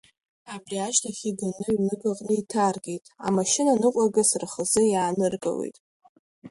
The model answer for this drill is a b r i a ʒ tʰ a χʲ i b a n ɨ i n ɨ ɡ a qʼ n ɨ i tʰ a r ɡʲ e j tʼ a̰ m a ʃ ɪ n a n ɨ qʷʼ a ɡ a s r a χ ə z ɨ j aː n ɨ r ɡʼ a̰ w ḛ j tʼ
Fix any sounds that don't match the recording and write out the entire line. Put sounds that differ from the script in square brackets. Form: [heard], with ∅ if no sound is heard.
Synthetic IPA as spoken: a b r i a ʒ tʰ a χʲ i [ɡ] a n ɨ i n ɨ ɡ a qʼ n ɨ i tʰ a r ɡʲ e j tʼ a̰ m a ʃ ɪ n a n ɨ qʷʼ a ɡ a s r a χ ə z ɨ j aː n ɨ r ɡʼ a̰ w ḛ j tʼ